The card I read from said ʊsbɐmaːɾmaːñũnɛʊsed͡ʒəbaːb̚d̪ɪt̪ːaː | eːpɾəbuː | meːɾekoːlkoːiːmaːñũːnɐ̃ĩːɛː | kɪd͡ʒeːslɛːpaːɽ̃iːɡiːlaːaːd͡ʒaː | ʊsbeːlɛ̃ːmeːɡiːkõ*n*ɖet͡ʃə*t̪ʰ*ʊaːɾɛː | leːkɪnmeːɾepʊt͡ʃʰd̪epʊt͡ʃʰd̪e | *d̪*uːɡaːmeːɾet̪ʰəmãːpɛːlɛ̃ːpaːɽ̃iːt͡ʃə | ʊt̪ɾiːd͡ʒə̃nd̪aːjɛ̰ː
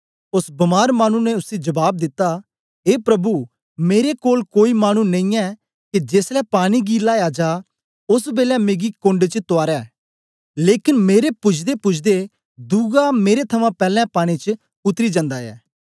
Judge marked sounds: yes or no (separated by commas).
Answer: no, no, yes